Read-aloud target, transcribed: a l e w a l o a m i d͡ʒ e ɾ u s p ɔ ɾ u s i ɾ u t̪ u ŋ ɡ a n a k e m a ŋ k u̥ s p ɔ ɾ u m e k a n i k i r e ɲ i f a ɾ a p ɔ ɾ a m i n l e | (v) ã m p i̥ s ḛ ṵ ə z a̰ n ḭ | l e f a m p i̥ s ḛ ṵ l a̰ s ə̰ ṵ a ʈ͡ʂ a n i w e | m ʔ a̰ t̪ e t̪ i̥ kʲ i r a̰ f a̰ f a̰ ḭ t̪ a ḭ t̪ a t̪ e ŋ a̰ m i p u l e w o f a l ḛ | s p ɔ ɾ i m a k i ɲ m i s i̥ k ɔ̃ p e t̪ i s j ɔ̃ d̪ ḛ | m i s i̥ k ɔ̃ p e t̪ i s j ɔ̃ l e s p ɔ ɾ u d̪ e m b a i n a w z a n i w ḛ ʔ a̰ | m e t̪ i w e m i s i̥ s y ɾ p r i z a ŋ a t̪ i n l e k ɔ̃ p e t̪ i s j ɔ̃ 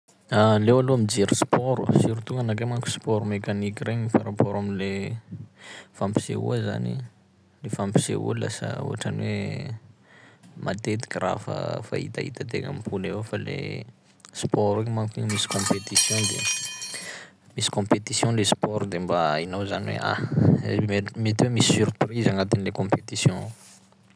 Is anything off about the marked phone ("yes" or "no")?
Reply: yes